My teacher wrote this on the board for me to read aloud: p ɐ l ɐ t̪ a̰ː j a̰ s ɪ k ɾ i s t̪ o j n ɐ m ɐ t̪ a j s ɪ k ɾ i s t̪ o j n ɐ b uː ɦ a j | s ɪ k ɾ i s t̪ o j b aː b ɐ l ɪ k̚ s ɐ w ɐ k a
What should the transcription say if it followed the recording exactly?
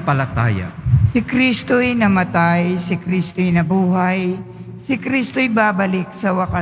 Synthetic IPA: p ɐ l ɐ t̪ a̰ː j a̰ s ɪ k ɾ i s t̪ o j n ɐ m ɐ t̪ a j s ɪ k ɾ i s t̪ o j n ɐ b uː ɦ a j | s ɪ k ɾ i s t̪ o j b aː b ɐ l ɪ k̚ s ɐ w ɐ k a